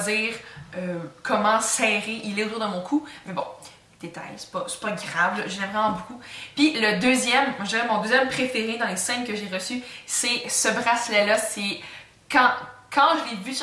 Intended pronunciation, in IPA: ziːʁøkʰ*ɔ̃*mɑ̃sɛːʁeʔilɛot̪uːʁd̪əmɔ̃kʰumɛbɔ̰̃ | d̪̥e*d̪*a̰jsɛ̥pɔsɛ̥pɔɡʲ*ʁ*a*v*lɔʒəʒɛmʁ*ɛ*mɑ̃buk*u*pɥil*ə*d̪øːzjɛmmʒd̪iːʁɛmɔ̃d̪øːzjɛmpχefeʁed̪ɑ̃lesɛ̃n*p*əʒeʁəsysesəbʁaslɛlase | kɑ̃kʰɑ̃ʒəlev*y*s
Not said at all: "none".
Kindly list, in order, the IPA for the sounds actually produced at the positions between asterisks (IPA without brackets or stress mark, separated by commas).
ɔ, t̪, ʁ, v, ɛ, u, ə, k, y